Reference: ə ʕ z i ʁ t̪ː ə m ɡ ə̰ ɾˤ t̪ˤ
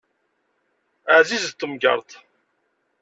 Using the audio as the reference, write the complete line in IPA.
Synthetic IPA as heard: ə ʕ z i z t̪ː ə m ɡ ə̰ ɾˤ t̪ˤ